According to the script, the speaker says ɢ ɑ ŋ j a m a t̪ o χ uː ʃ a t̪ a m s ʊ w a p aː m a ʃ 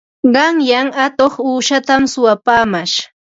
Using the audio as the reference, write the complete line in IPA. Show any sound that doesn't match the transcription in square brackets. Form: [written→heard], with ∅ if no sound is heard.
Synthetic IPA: ɢ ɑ ŋ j a [m→ŋ] a t̪ o χ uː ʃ a t̪ a m s ʊ w a p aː m a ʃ